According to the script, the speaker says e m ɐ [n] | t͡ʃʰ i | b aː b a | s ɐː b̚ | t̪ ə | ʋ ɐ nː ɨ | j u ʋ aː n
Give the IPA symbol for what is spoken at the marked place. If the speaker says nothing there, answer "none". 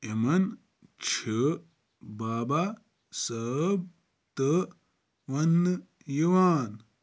n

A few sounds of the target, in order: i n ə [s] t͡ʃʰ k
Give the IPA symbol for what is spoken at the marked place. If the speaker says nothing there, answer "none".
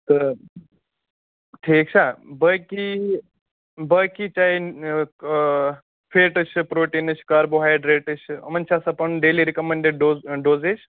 none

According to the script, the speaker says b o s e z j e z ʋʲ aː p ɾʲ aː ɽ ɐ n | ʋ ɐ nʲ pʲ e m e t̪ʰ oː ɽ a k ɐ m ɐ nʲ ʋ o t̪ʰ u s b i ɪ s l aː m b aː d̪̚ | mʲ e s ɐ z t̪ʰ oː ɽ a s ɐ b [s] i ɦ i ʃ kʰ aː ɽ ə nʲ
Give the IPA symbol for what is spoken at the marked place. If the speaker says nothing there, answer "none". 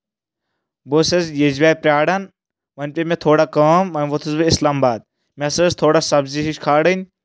z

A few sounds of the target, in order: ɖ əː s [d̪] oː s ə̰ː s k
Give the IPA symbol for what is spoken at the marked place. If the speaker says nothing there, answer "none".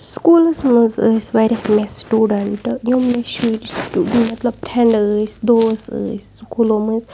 d̪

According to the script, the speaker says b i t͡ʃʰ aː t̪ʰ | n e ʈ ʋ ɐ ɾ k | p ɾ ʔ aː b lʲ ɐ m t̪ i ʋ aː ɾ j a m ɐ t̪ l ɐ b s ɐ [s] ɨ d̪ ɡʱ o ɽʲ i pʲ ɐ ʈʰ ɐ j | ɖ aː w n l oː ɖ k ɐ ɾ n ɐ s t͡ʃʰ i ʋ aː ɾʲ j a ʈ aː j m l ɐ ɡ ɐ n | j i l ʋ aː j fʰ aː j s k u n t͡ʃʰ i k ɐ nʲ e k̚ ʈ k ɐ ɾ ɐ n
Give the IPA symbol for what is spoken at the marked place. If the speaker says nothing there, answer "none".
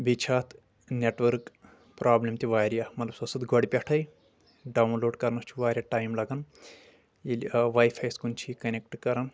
s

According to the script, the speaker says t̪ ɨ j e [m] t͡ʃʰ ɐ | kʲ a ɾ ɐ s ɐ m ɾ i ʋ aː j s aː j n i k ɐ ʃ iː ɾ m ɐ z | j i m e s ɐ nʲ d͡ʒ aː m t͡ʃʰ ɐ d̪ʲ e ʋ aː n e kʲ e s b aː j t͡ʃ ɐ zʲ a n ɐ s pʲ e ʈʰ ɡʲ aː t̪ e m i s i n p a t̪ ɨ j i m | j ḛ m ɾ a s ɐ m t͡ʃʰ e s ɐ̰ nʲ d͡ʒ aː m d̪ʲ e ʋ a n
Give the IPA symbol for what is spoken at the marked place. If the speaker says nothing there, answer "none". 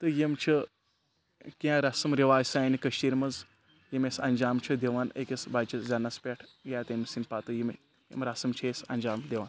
m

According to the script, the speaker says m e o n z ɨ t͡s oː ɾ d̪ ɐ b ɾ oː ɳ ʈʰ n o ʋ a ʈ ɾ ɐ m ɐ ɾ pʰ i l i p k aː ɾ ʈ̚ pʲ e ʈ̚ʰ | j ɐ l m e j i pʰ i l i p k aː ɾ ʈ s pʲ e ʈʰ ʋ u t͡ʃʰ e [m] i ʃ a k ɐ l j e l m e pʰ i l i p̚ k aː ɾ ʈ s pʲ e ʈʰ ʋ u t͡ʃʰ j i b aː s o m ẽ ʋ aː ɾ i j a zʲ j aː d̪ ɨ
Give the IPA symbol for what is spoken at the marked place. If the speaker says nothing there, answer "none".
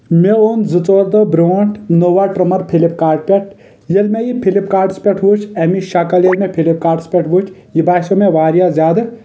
m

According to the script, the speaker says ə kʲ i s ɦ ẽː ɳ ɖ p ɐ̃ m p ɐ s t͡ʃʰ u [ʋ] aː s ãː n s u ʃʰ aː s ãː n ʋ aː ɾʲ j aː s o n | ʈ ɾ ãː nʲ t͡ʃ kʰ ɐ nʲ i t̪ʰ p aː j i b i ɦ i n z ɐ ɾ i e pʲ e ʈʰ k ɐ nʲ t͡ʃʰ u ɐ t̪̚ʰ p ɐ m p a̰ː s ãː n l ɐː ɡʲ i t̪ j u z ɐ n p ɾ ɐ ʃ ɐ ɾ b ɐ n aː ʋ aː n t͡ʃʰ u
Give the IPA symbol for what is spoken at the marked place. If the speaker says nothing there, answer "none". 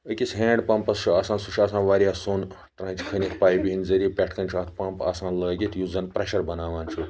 none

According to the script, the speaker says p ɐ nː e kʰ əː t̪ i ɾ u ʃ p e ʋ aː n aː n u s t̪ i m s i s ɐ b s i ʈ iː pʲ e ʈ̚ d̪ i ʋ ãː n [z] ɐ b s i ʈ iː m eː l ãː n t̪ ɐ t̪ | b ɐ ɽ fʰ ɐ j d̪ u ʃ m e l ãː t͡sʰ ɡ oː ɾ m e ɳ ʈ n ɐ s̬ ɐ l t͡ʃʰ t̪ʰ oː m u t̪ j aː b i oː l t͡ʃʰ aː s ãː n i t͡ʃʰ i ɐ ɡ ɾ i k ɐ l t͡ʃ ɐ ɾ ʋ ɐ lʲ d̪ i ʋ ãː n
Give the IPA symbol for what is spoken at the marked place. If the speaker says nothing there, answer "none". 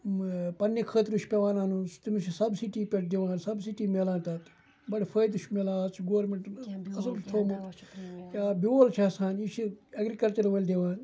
s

